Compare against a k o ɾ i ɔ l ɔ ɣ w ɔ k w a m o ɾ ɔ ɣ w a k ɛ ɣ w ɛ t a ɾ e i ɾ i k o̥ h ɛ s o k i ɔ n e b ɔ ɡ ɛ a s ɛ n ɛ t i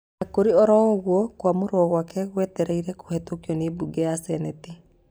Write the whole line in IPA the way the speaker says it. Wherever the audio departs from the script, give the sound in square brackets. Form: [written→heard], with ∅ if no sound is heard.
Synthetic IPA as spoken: a k o ɾ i ɔ [l→ɾ] ɔ ɣ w ɔ k w a m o ɾ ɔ ɣ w a k ɛ ɣ w ɛ t [a→ɛ] ɾ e i ɾ [i→ɛ] k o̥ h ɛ [s→t] o k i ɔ n e b [ɔ→u] ɡ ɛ a s ɛ n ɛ t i